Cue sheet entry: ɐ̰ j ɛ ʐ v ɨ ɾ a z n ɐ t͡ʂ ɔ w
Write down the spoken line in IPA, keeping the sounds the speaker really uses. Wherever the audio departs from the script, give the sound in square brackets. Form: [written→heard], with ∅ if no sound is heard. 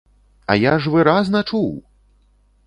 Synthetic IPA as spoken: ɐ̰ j [ɛ→a] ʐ v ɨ ɾ a z n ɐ t͡ʂ [ɔ→u] w